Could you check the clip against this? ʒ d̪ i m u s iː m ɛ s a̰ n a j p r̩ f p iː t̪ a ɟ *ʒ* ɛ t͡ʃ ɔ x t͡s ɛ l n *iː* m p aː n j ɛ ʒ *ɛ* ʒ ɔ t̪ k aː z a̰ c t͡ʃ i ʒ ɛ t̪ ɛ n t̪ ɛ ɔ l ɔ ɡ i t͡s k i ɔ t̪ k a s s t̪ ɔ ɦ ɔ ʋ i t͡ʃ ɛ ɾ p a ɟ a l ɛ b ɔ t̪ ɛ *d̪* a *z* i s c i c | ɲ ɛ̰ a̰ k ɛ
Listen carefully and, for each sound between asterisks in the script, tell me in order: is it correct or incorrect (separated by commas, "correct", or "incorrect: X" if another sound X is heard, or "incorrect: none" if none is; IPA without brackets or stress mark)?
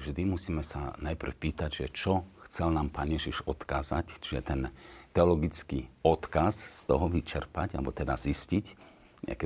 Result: correct, incorrect: aː, incorrect: i, correct, correct